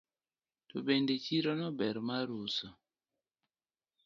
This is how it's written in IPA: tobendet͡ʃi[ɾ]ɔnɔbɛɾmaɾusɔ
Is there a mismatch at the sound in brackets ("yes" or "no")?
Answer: no